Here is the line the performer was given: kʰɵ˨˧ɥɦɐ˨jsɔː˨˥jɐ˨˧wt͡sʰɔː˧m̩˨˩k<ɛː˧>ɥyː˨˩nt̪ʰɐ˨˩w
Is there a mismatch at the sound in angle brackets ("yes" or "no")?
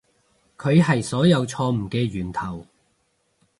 no